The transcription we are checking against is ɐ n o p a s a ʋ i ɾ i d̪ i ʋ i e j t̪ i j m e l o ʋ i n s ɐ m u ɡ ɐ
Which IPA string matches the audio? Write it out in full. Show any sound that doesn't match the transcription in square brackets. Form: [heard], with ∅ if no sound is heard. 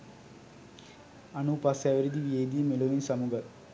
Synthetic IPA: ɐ n [u] p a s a ʋ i ɾ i d̪ i ʋ i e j [d̪] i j m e l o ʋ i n s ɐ m u ɡ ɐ